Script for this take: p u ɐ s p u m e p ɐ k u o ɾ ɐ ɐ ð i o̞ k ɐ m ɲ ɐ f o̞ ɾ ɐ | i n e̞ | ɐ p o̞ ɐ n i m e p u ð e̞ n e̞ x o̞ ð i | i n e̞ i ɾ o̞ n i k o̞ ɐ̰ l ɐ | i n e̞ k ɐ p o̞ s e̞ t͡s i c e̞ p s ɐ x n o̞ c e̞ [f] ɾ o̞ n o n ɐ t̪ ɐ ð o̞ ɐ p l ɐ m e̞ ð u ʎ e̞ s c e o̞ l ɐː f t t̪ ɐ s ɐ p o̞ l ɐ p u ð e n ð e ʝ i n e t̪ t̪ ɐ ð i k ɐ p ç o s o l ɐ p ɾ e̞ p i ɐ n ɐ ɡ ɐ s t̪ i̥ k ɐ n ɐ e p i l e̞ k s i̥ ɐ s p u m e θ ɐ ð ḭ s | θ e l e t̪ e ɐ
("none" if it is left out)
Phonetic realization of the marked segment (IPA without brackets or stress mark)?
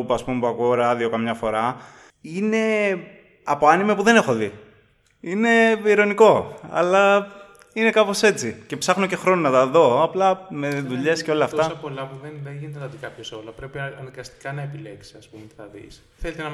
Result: x